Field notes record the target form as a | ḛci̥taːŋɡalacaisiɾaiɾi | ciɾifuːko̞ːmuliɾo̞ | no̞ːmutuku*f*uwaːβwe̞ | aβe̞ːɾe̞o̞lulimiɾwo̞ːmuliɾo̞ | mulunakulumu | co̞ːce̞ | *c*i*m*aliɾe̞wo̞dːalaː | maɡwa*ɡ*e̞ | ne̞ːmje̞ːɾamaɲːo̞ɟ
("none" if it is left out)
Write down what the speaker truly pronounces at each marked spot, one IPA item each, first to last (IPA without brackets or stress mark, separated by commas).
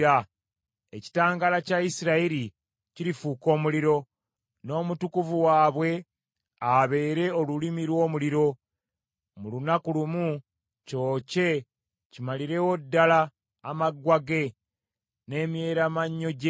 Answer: v, c, m, ɡ